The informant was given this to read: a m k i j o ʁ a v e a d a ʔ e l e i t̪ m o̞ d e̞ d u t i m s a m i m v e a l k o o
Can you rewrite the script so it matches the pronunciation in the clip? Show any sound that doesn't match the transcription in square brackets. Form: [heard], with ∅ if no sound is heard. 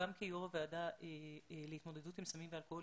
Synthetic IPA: a m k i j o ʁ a v e a d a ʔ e l e i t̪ m o̞ d e̞ d u t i m s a m i m v e a l k o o